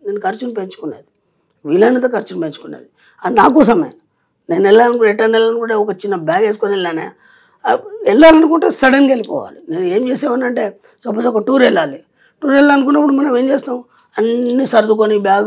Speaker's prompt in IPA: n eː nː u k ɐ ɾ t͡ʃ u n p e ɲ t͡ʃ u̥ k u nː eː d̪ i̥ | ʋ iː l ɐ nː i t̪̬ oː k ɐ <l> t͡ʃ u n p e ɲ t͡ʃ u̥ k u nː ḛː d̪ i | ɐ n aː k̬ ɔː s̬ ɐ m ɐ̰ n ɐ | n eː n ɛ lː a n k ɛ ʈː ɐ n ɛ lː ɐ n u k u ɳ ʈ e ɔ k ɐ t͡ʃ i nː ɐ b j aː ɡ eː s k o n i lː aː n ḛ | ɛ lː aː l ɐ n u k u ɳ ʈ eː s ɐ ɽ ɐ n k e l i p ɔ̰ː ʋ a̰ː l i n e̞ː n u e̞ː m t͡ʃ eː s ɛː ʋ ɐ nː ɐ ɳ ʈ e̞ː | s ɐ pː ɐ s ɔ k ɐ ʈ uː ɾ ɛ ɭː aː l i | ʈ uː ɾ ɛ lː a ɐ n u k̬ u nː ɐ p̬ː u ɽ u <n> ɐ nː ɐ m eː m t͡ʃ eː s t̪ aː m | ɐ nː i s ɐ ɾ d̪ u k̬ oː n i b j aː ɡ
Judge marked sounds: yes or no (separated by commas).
no, no